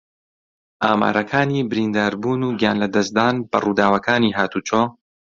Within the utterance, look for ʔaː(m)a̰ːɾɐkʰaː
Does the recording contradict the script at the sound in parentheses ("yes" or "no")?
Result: no